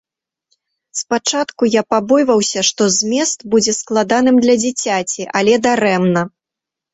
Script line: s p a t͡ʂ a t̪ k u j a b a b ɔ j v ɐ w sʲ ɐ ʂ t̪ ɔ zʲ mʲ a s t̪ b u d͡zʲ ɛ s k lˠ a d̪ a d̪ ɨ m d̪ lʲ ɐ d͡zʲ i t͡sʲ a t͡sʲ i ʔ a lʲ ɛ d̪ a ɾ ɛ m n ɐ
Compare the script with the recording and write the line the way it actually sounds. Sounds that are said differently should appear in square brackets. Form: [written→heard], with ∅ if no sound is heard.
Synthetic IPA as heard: s p a t͡ʂ a t̪ k u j a [b→p] a b ɔ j v ɐ w sʲ ɐ ʂ t̪ ɔ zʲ mʲ [a→ɛ] s t̪ b u d͡zʲ ɛ s k lˠ a d̪ a [d̪→n̪] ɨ m d̪ lʲ ɐ d͡zʲ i t͡sʲ a t͡sʲ i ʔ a lʲ ɛ d̪ a ɾ ɛ m n ɐ